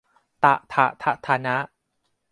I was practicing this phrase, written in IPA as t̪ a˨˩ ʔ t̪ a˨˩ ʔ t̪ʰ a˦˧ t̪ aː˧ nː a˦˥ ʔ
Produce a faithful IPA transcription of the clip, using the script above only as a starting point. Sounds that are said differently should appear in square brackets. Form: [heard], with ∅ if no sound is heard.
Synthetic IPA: t̪ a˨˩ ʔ [t̪ʰ] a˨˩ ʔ t̪ʰ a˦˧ [t̪ʰ] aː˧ [n] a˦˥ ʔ